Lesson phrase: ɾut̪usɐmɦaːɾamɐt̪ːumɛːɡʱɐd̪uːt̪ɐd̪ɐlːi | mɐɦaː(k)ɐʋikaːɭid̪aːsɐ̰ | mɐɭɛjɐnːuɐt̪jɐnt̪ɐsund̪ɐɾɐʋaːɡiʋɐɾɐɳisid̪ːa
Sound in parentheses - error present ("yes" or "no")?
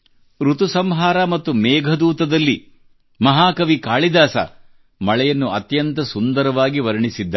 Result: no